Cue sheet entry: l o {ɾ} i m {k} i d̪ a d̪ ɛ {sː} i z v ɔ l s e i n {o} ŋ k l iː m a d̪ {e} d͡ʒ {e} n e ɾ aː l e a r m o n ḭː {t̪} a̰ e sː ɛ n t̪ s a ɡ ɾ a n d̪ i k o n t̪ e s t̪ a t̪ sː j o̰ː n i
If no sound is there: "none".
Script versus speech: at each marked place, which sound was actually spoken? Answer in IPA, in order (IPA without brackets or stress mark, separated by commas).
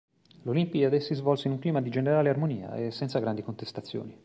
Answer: l, p, sː, u, i, e, none